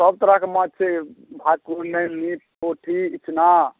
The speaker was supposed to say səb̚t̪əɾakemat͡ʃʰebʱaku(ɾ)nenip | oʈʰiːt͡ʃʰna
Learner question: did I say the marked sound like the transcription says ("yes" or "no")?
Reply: yes